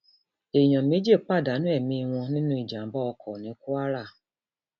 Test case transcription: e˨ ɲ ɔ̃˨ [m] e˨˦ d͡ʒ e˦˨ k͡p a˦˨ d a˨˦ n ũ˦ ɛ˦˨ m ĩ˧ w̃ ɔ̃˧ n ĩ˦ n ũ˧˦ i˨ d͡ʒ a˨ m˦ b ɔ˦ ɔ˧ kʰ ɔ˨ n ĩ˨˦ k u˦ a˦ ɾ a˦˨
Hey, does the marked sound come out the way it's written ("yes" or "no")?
yes